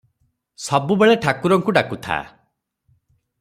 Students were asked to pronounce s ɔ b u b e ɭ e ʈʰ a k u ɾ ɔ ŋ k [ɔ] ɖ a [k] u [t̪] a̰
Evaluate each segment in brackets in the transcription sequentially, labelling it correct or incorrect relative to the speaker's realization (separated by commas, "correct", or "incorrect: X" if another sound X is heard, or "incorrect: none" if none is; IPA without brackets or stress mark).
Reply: incorrect: u, correct, incorrect: t̪ʰ